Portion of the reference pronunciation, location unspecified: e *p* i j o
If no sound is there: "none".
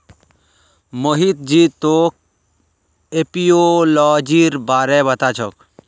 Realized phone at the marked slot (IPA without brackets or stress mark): p